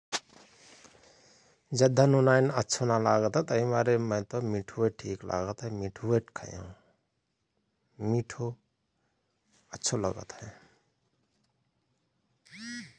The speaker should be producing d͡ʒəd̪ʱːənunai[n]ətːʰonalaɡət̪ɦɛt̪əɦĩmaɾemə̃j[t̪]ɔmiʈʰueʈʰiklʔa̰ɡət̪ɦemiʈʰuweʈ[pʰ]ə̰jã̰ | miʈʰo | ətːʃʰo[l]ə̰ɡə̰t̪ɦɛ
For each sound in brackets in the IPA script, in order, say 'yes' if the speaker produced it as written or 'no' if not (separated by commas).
yes, yes, no, yes